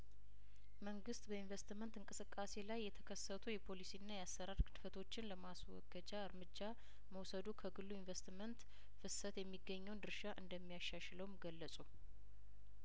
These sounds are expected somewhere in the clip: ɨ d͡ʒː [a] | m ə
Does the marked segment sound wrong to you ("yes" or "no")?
no